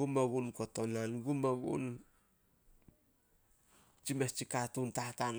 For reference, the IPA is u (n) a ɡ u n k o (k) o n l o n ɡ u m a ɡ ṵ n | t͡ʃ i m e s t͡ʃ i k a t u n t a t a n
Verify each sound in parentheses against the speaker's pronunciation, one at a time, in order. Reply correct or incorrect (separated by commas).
incorrect, incorrect